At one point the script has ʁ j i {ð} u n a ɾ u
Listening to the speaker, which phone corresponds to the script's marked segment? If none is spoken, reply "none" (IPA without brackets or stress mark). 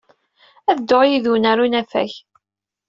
ð